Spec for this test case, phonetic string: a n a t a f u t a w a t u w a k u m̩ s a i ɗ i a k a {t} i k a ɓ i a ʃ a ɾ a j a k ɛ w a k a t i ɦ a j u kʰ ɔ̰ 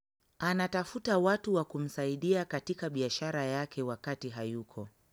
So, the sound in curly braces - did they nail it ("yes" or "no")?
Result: yes